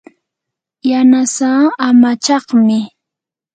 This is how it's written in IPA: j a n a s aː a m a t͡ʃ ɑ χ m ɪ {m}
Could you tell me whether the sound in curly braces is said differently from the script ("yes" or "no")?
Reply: yes